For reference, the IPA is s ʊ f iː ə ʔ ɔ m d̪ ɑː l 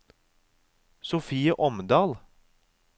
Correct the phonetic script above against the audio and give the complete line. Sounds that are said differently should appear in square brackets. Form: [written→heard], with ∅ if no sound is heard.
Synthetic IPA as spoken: s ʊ f iː ə ʔ ɔ m d̪ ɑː l

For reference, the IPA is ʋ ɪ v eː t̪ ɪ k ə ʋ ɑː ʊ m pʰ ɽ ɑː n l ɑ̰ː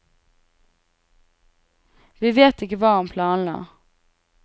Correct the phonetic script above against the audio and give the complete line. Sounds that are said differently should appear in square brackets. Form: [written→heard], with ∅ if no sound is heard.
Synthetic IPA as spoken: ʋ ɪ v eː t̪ ɪ k ə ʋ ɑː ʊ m pʰ [ɽ→l] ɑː n l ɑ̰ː

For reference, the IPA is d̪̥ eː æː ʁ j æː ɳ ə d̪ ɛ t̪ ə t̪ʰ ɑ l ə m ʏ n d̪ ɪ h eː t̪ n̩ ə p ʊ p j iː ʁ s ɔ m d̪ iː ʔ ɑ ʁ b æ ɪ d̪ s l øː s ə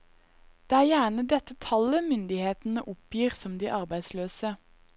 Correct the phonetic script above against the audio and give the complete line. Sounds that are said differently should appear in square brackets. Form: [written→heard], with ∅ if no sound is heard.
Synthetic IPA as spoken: d̪̥ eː æː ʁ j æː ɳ ə d̪ ɛ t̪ ə t̪ʰ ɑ l ə m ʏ n d̪ ɪ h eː t̪ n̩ ə [p→ʔ] ʊ p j iː ʁ s ɔ m d̪ iː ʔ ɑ ʁ b æ ɪ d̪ s l øː s ə

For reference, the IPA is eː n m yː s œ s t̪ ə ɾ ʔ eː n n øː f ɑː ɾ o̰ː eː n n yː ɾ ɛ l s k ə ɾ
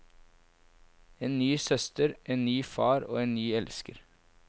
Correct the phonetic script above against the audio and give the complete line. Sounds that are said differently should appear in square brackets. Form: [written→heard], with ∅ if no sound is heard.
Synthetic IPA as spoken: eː n [m→n] yː s œ s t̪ ə ɾ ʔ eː n n [øː→yː] f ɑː ɾ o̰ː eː n n yː [ɾ→∅] ɛ l s k ə ɾ

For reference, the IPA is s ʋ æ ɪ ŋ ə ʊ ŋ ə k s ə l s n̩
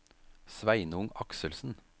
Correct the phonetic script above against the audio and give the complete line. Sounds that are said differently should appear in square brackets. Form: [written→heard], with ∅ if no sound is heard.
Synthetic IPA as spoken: s ʋ æ ɪ [ŋ→n] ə ʊ ŋ [ə→ɑ] k s ə l s n̩

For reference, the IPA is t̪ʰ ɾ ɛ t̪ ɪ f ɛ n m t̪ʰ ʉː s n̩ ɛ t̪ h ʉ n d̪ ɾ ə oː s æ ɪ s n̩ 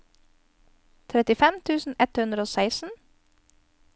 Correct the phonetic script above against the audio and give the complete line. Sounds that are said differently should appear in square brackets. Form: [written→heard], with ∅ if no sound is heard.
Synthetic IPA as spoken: t̪ʰ ɾ ɛ t̪ ɪ f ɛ [n→∅] m t̪ʰ ʉː s n̩ ɛ t̪ h ʉ n d̪ ɾ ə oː s æ ɪ s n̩

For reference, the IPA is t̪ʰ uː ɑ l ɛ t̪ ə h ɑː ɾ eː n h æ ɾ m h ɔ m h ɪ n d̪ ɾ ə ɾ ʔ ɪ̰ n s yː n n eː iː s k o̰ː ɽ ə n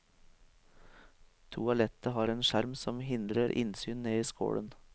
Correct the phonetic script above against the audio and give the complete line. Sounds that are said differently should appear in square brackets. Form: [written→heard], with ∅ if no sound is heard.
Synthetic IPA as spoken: t̪ʰ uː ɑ l ɛ t̪ ə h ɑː ɾ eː n [h→ʃ] æ ɾ m [h→s] ɔ m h ɪ n d̪ ɾ ə ɾ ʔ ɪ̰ n s yː n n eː iː s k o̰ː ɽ ə n

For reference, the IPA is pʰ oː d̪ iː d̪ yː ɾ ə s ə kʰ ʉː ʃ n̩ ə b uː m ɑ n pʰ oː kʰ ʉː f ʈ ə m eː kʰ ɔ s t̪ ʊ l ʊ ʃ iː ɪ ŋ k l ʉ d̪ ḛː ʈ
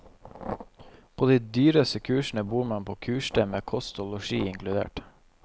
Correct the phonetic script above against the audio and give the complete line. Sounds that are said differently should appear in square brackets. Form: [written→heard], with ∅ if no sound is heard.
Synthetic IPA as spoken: pʰ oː d̪ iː d̪ yː ɾ ə s ə kʰ ʉː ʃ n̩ ə b uː m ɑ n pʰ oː kʰ ʉː [f→ʃ] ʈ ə m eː kʰ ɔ s t̪ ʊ l ʊ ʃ iː ɪ ŋ k l ʉ d̪ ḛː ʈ

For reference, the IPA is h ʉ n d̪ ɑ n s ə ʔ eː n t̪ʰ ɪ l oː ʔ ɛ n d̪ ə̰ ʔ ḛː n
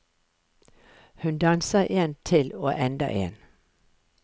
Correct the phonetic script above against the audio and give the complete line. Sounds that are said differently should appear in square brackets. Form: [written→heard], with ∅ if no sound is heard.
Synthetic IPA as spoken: h ʉ n d̪ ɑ n s ə ʔ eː n t̪ʰ ɪ l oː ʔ ɛ n d̪ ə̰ ʔ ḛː n

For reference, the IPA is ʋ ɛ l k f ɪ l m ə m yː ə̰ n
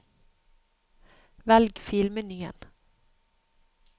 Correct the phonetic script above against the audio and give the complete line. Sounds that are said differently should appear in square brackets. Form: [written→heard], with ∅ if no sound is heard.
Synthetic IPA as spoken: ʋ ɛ l [k→ɡ] f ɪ l m ə [m→n] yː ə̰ n

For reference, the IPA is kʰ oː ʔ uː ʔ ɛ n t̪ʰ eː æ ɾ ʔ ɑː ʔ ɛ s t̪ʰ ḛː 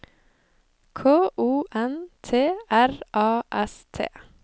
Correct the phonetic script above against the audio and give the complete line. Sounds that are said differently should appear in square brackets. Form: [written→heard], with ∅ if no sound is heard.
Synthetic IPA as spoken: kʰ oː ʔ uː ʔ ɛ n t̪ʰ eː æ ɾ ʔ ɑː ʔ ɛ s t̪ʰ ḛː

